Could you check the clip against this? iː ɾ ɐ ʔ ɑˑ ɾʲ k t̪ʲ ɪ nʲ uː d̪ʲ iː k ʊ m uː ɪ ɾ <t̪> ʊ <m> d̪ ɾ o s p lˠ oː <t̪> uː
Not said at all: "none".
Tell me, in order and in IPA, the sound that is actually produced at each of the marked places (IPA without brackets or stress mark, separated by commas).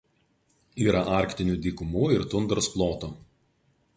t̪, n, t̪